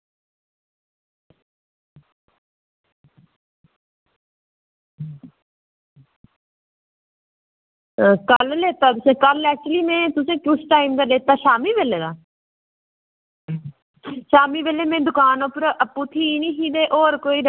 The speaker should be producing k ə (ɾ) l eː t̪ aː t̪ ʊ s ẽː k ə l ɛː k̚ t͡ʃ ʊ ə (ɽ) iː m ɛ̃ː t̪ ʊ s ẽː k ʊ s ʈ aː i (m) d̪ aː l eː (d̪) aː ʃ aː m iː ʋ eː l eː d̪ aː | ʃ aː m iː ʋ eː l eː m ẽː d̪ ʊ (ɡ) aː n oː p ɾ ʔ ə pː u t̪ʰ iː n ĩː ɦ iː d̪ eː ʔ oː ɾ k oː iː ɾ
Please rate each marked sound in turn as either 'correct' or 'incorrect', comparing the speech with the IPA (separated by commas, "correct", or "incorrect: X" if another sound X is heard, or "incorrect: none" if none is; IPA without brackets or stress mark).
incorrect: l, incorrect: l, correct, incorrect: t̪, incorrect: k